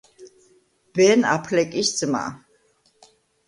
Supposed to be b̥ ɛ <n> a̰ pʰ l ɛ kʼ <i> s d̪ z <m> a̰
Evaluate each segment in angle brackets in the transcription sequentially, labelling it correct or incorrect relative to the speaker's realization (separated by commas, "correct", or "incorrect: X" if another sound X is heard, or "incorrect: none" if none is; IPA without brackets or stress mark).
correct, correct, correct